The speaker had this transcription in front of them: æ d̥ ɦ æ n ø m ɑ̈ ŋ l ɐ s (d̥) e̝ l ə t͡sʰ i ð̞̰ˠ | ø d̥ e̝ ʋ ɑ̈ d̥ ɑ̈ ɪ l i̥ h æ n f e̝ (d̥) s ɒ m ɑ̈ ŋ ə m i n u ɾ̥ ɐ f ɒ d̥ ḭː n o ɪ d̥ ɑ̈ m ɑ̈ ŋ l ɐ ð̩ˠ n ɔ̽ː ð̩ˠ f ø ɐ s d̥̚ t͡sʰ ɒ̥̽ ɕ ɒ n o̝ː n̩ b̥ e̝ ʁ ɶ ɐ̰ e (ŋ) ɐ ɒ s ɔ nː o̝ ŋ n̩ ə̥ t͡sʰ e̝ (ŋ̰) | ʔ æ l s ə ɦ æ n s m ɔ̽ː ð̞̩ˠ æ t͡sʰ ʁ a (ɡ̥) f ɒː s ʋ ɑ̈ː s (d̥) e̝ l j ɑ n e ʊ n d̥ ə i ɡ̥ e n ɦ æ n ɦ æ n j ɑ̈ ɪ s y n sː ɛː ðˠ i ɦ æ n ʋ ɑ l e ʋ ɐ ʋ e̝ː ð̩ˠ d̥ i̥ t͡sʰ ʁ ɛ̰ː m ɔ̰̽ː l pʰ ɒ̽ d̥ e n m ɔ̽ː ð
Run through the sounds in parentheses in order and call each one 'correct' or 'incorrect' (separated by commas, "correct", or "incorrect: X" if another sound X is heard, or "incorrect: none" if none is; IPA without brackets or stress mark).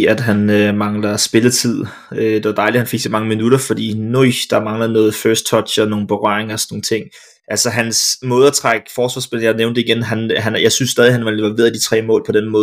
incorrect: b̥, incorrect: ɡ̥, correct, correct, correct, incorrect: b̥